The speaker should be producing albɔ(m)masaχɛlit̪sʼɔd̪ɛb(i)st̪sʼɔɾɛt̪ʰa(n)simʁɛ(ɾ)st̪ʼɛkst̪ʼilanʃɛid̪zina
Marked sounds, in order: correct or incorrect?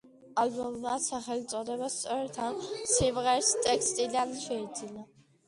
correct, incorrect, correct, correct

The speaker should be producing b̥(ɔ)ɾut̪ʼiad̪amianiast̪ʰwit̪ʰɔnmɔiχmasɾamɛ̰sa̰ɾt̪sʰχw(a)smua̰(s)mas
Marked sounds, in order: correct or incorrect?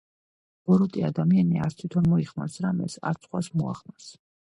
correct, correct, incorrect

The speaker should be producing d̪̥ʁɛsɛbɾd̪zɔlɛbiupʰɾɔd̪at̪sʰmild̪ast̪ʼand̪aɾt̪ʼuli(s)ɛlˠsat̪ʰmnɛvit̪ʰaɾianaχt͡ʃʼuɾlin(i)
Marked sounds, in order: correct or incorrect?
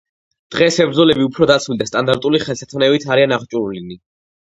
incorrect, correct

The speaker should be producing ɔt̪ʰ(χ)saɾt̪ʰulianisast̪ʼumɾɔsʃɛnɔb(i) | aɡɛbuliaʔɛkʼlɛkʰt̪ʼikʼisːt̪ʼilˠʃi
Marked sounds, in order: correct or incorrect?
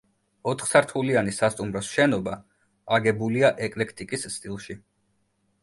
correct, incorrect

